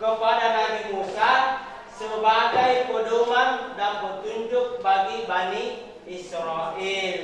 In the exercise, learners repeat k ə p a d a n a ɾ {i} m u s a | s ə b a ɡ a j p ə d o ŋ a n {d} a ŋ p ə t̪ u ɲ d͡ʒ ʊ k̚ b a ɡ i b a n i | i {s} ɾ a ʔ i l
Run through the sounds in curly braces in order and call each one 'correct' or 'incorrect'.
correct, correct, correct

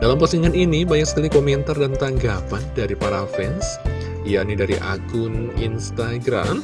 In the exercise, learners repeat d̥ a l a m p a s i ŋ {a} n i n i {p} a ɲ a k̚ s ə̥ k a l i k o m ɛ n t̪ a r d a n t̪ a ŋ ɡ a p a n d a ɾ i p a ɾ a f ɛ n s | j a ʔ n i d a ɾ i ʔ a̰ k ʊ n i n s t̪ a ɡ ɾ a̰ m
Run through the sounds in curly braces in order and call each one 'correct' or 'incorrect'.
correct, incorrect

